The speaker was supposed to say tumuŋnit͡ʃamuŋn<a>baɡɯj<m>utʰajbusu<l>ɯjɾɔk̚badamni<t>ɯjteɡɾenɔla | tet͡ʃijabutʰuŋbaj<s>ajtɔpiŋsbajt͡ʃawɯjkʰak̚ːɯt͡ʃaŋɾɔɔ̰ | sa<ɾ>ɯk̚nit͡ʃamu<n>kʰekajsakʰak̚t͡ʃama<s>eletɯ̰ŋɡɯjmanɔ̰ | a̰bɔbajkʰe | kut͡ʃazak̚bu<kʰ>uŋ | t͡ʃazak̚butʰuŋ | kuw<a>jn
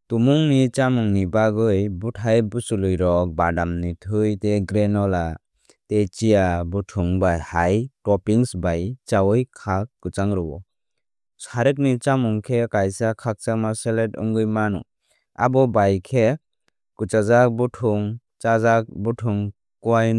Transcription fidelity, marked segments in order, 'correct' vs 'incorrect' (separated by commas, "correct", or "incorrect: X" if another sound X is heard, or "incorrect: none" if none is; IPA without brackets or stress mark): incorrect: i, incorrect: b, correct, incorrect: tʰ, incorrect: h, correct, incorrect: ŋ, correct, incorrect: tʰ, correct